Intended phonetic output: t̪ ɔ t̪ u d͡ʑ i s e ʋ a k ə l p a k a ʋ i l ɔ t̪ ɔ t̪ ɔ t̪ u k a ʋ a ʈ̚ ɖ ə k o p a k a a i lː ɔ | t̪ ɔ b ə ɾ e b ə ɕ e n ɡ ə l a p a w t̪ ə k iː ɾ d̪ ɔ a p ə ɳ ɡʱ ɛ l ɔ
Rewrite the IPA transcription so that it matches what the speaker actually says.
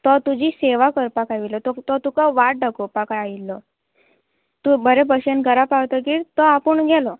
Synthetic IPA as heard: t̪ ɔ t̪ u d͡ʑ i s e ʋ a k ə ɾ p a k a ʋ i l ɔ t̪ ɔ t̪ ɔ t̪ u k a ʋ a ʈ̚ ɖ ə k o p a k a a i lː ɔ | t̪ u b ə ɾ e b ə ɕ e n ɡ ə ɾ a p a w t̪ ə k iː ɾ t̪ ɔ a p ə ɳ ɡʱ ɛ l ɔ